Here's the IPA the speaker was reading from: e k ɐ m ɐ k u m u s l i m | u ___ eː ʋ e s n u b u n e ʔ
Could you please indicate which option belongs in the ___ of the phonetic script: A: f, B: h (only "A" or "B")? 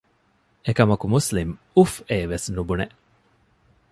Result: A